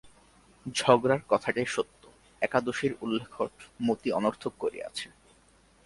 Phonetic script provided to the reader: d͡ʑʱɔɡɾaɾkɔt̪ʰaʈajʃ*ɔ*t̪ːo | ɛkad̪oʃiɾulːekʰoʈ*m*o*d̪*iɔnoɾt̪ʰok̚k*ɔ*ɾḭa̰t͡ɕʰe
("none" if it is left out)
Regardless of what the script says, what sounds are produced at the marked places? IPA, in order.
o, m, t̪, o

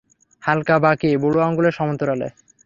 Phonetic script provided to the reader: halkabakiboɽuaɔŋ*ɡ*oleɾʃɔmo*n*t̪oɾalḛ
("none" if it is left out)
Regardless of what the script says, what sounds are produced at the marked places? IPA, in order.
ɡ, n

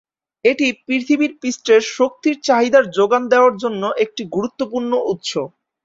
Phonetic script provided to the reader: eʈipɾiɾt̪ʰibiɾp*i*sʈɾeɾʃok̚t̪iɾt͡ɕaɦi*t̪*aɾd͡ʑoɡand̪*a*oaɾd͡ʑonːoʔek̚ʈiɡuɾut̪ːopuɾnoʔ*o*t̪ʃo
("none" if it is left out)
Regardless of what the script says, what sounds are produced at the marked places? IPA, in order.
i, d̪, e, u

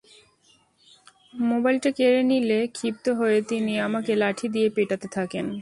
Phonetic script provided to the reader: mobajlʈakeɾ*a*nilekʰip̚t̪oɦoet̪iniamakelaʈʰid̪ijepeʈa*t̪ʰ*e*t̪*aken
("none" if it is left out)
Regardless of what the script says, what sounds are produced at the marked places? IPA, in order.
e, t̪, t̪ʰ

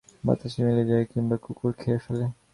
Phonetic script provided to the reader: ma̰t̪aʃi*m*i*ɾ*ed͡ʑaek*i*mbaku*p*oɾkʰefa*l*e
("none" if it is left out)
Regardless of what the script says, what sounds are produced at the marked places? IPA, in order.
m, l, i, k, l

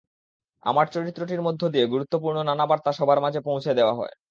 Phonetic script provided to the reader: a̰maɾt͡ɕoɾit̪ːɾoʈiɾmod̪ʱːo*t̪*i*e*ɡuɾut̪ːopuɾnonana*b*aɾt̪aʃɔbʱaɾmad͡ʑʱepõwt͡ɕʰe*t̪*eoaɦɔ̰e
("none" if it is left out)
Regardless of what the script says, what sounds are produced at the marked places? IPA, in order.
d̪, e, b, d̪

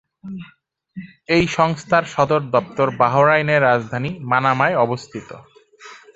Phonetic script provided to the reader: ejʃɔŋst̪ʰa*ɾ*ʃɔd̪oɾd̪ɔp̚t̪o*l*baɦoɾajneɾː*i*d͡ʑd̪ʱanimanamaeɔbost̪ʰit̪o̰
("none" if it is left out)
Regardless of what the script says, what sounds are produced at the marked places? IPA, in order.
ɾ, ɾ, a

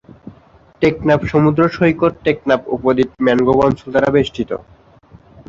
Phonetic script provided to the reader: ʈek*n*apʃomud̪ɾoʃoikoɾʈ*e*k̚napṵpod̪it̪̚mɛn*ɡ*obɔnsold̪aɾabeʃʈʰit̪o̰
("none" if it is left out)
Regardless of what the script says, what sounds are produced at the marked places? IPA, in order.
n, e, ɡ

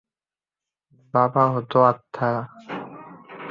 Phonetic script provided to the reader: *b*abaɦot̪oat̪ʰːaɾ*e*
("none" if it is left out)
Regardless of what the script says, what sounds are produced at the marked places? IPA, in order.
b, a

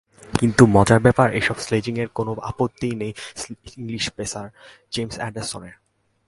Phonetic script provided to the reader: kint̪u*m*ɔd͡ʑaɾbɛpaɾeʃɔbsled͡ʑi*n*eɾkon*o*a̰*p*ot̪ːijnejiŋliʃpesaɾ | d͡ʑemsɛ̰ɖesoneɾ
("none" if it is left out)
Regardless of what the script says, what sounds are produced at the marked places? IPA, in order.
m, ŋ, o, p

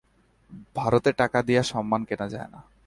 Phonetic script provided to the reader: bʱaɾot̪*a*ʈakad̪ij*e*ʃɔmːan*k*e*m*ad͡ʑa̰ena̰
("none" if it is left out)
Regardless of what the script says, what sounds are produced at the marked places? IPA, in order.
e, a, k, n

